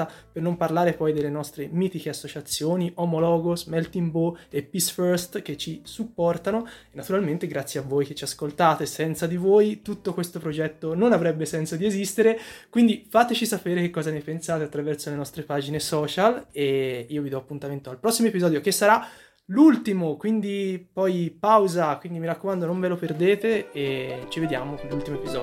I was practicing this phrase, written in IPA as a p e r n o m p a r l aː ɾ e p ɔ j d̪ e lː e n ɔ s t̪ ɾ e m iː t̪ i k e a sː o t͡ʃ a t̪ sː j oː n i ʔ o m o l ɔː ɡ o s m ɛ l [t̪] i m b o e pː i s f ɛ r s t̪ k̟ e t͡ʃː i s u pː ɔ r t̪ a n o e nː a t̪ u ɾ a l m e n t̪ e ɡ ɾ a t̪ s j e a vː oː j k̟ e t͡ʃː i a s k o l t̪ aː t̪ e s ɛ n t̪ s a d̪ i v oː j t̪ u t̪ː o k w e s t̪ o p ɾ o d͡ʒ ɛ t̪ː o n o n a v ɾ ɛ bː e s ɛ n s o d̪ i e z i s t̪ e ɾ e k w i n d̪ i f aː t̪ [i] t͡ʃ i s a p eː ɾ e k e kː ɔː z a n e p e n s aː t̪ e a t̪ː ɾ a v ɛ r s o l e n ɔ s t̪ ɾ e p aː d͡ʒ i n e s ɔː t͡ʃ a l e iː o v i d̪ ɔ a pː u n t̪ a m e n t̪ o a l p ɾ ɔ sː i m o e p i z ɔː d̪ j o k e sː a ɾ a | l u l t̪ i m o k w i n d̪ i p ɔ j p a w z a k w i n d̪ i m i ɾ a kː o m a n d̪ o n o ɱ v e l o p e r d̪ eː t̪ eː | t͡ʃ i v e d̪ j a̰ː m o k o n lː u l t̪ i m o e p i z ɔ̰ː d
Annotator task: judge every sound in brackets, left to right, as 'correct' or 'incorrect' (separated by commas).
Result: correct, incorrect